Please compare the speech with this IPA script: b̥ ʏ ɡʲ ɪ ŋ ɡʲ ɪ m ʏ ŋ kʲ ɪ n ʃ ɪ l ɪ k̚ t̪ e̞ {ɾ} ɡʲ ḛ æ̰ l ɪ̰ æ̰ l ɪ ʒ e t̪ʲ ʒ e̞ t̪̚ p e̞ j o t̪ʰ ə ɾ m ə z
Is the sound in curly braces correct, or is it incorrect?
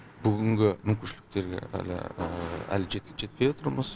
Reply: correct